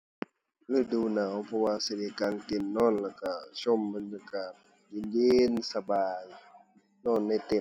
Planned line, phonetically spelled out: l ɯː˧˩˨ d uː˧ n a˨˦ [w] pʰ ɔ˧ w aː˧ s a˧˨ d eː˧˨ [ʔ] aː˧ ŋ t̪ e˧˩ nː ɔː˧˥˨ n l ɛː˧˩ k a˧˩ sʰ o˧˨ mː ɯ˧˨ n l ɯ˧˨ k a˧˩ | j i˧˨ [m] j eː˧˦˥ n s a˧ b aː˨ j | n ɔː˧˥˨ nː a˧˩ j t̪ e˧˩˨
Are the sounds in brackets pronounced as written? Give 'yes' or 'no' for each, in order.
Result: yes, no, no

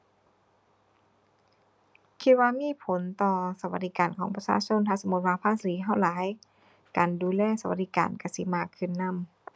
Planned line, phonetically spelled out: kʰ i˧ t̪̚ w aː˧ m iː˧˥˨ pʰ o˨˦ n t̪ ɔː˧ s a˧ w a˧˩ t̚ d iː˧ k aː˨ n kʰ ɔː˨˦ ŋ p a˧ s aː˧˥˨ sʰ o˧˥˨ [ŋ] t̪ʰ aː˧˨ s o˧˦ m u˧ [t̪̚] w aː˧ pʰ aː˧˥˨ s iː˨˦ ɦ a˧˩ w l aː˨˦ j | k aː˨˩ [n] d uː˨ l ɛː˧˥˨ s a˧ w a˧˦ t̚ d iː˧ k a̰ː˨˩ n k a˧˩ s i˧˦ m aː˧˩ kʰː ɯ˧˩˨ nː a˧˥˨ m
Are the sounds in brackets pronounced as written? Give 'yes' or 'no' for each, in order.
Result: no, yes, yes

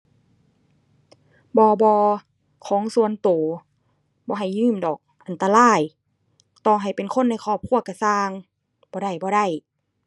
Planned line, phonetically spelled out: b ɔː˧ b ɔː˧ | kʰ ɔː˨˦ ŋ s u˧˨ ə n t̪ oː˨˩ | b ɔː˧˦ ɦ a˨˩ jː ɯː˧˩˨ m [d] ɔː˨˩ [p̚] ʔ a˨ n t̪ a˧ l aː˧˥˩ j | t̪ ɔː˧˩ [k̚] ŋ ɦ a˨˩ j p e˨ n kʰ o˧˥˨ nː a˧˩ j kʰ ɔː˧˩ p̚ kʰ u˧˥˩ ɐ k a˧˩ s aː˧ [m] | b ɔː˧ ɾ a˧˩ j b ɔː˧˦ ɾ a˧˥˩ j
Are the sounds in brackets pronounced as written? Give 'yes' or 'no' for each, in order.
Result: yes, no, no, no

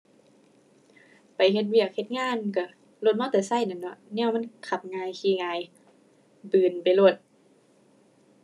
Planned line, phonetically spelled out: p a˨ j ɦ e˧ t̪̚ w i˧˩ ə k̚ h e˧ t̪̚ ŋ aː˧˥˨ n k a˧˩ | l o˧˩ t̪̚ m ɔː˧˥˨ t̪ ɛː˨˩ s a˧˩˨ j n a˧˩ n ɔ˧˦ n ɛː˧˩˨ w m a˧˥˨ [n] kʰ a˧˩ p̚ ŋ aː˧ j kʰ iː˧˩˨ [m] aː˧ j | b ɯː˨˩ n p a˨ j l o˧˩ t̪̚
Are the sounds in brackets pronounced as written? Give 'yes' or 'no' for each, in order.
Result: yes, no

